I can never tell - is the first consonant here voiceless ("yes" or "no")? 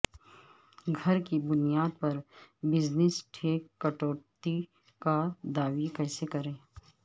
no